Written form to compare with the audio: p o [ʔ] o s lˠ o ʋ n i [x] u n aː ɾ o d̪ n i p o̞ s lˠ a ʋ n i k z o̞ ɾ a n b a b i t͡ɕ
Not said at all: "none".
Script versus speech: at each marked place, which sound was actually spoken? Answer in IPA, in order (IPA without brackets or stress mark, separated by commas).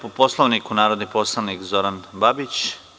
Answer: p, k